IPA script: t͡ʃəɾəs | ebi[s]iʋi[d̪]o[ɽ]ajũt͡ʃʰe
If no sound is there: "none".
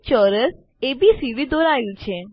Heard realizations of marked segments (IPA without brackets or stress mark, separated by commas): s, d̪, ɾ